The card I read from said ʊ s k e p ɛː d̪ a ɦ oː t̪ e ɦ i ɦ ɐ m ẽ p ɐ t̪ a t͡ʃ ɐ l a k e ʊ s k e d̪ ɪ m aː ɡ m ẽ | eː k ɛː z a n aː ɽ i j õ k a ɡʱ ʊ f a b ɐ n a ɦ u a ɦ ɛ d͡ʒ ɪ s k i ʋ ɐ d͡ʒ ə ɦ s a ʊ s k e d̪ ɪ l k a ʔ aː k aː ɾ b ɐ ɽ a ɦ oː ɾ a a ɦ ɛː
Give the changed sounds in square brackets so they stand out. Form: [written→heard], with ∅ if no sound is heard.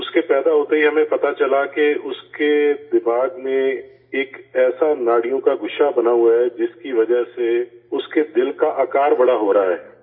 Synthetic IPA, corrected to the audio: ʊ s k e p ɛː d̪ a ɦ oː t̪ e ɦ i ɦ ɐ m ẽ p ɐ t̪ a t͡ʃ ɐ l a k e ʊ s k e d̪ ɪ m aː ɡ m ẽ | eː k ɛː [z→s] a n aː ɽ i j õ k a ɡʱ ʊ [f→ʃ] a b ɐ n a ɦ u a ɦ ɛ d͡ʒ ɪ s k i ʋ ɐ d͡ʒ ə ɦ s [a→e] ʊ s k e d̪ ɪ l k a ʔ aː k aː ɾ b ɐ ɽ a ɦ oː ɾ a a ɦ ɛː